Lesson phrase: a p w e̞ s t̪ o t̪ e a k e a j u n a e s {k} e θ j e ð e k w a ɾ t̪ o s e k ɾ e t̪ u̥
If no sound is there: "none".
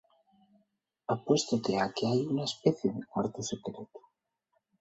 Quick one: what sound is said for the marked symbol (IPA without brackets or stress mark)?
p